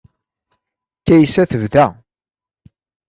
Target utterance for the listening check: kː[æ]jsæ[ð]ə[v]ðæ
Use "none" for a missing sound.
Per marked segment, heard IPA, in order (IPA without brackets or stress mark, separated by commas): æ, θ, v